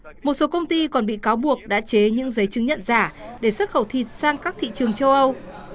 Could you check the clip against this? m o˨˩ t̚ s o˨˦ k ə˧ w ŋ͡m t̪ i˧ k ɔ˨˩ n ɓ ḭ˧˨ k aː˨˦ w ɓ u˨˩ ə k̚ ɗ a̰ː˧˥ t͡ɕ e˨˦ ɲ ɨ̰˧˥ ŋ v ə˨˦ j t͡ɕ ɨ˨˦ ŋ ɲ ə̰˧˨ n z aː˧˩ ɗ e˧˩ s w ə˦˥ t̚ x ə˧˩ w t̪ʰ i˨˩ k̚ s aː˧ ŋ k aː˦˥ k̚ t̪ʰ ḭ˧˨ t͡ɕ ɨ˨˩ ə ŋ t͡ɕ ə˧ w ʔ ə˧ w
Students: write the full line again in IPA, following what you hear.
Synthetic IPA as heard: m o˨˩ t̚ s o˨˦ k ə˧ w ŋ͡m t̪ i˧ k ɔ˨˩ n ɓ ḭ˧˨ k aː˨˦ w ɓ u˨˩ ə k̚ ɗ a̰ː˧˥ t͡ɕ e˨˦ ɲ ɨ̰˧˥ ŋ z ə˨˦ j t͡ɕ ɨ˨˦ ŋ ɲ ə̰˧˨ n z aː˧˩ ɗ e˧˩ s w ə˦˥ t̚ x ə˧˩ w t̪ʰ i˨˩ t̚ s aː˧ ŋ k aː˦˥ k̚ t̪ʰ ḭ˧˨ t͡ɕ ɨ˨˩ ə ŋ t͡ɕ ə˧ w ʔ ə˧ w